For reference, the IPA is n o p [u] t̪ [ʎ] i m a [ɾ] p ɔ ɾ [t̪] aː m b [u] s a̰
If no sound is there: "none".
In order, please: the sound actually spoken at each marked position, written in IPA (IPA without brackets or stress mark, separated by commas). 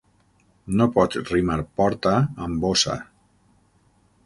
ɔ, r, ɾ, t̪, o